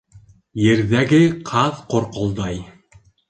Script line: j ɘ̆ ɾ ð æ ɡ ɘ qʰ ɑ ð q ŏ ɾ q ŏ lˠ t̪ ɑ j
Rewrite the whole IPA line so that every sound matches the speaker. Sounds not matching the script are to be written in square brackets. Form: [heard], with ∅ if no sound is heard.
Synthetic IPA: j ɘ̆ ɾ ð æ ɡ ɘ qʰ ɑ ð q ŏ ɾ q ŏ lˠ [d̪] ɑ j